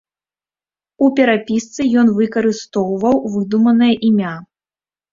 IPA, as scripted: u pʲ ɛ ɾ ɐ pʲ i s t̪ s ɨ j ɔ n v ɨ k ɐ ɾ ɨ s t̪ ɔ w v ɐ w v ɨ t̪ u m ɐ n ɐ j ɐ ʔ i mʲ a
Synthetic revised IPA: u pʲ ɛ ɾ a pʲ i s t̪ s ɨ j ɔ n v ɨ k ɐ ɾ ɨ s t̪ ɔ w v ɐ w v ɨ d̪ u m ɐ n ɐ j ɐ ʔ i mʲ a